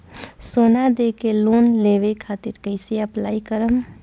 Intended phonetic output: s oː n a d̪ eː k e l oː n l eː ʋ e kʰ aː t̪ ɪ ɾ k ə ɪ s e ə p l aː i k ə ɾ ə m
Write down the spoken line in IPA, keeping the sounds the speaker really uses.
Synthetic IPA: s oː n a d̪ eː k e l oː n l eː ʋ e kʰ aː t̪ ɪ ɾ k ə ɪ s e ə p l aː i k ə ɾ ə m